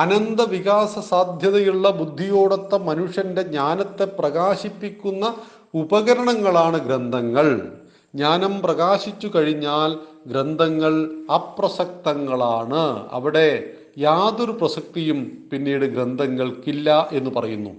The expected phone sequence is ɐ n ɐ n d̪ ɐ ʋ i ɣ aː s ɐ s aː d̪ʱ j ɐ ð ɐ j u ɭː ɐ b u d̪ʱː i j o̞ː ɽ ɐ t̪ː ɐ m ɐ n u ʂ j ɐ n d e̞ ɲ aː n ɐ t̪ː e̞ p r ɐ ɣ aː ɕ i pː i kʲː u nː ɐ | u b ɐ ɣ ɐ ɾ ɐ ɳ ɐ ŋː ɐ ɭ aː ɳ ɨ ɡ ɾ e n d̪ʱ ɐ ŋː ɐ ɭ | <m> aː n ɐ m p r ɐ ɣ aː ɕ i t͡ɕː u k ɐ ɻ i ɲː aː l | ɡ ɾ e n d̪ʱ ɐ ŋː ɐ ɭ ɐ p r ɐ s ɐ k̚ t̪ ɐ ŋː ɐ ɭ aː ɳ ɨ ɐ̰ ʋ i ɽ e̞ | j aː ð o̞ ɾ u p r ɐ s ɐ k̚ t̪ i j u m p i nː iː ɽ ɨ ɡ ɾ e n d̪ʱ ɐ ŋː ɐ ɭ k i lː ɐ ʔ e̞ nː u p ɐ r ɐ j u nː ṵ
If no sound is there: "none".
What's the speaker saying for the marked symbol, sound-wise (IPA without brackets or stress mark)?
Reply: ɲ